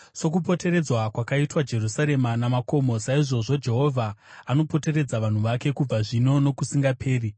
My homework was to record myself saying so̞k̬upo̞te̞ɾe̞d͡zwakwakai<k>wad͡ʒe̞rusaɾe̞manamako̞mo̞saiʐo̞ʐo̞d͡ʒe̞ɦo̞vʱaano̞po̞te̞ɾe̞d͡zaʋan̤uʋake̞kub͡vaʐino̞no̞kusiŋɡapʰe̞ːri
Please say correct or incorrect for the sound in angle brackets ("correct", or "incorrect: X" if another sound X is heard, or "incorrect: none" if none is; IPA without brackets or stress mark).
incorrect: t